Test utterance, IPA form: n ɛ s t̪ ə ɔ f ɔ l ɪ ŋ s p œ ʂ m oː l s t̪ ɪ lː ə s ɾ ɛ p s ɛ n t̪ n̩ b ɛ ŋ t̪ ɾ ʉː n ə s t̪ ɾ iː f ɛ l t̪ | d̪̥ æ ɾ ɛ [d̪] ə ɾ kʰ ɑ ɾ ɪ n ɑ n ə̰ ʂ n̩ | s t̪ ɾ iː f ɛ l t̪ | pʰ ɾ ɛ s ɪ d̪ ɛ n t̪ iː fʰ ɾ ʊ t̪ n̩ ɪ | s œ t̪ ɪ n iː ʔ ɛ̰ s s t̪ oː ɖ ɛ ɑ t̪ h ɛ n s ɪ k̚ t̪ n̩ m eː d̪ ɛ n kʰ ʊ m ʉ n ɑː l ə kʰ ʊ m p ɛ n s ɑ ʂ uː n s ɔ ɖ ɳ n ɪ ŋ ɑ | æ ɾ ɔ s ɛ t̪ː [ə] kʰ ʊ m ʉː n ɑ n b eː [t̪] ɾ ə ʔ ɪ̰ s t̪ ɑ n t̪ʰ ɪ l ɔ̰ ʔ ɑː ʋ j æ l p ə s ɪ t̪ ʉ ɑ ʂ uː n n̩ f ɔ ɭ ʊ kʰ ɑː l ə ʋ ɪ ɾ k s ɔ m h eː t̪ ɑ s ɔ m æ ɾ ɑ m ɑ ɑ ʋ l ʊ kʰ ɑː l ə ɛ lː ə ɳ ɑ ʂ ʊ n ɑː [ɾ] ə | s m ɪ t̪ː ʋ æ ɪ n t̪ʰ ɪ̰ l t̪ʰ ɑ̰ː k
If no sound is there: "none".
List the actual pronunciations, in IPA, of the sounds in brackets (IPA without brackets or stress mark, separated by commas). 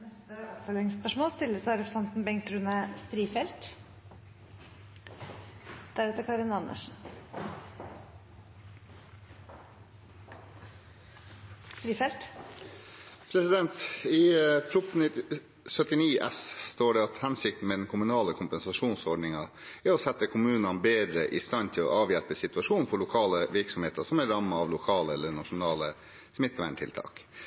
t̪, ə, d̪, l